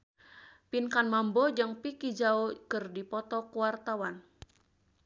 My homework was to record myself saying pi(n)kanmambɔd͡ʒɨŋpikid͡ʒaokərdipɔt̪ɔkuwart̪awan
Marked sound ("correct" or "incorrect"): correct